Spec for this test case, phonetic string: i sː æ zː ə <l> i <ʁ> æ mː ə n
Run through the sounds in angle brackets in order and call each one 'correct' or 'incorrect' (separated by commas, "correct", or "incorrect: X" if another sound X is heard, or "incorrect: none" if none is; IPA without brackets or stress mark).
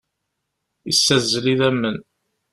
correct, incorrect: ð